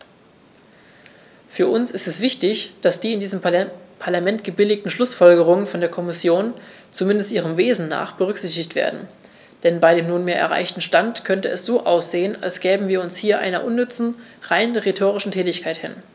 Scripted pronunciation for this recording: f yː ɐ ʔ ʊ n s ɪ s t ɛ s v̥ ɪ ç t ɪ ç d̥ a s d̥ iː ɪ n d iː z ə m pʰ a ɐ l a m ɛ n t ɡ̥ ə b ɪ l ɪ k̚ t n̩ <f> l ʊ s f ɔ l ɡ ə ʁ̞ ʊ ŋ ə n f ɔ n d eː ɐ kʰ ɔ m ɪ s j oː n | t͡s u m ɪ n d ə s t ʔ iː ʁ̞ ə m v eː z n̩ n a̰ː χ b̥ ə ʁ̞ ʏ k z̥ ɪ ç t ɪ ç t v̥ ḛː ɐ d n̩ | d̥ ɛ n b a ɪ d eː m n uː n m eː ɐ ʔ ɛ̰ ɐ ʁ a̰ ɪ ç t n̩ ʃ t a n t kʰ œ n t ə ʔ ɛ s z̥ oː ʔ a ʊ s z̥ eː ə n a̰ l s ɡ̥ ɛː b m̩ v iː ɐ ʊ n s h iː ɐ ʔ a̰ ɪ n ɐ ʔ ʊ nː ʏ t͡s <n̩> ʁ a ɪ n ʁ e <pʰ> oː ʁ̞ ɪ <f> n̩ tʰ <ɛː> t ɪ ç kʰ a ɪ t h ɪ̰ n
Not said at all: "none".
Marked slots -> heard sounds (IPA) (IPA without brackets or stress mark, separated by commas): ʃ, n̩, tʰ, ʃ, ɛː